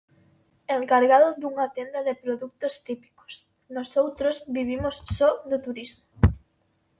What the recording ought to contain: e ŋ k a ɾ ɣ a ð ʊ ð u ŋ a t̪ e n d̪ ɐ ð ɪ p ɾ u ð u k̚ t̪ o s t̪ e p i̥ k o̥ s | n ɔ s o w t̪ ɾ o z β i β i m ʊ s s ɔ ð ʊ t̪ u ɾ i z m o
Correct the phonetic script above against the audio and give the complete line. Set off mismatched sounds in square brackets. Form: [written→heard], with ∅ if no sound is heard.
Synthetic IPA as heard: e ŋ k a ɾ ɣ a ð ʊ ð u ŋ a t̪ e n d̪ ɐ ð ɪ p ɾ [u→o] ð u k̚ t̪ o s t̪ [e→i] p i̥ k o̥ s | n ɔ s o w t̪ ɾ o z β i β i m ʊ s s ɔ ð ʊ t̪ u ɾ i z m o